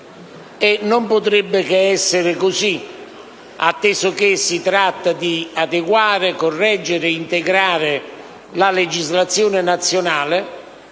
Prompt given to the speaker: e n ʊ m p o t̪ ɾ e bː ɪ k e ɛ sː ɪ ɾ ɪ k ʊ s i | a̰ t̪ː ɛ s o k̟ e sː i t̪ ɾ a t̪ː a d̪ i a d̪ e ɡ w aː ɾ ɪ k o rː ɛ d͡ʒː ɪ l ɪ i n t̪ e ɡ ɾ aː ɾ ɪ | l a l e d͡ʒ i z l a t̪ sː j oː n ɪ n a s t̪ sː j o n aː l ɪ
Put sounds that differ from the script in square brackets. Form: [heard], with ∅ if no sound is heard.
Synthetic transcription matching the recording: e n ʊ m p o t̪ ɾ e bː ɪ k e ɛ sː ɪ ɾ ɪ k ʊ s i | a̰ t̪ː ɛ s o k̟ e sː i t̪ ɾ a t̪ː a d̪ i a d̪ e ɡ w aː ɾ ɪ k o rː ɛ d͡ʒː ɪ [ɾ] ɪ i n t̪ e ɡ ɾ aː ɾ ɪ | l a l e d͡ʒ i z l a t̪ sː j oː n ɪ n a [∅] t̪ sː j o n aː l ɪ